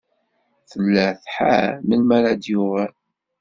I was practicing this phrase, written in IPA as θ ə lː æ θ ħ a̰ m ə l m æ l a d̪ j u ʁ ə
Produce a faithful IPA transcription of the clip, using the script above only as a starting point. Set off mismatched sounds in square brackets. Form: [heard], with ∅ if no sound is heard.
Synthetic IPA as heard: θ ə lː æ θ ħ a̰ m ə l m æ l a d̪ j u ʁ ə

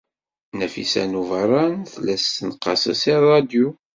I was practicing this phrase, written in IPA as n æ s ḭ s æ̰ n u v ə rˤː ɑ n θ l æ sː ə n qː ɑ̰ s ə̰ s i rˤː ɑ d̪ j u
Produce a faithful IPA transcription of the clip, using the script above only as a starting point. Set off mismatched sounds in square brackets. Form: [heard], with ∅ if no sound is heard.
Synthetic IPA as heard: n æ [f] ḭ s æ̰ n u v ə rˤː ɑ n θ l æ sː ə n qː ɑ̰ s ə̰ s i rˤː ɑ d̪ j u

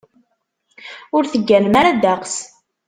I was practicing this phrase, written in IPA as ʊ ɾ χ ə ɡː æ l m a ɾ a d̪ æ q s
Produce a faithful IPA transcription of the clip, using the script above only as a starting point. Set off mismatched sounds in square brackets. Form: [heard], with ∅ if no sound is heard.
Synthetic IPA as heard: ʊ ɾ [θ] ə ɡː æ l m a ɾ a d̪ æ q s

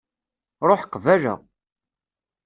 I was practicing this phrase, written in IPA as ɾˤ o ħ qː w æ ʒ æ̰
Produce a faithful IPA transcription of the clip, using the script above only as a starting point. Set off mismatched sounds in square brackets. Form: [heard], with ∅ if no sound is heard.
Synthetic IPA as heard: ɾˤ o ħ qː [v] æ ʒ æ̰

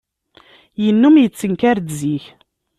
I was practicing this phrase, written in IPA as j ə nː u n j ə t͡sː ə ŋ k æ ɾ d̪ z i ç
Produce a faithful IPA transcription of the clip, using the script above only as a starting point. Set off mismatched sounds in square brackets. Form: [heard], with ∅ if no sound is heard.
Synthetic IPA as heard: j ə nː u [m] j ə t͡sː ə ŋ k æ ɾ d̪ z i ç

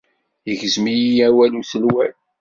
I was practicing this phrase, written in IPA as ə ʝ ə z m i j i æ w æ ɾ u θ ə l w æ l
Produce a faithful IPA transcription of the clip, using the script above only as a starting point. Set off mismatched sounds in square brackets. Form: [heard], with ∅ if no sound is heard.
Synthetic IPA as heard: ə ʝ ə z m i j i æ w æ [l] u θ ə l w æ l

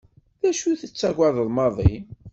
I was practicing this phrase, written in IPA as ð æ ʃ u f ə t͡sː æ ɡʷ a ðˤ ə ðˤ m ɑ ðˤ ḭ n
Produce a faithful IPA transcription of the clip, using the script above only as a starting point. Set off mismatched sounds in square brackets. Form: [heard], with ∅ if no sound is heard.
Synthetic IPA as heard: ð æ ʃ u [θ] ə t͡sː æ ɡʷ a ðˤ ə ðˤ m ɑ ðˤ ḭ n

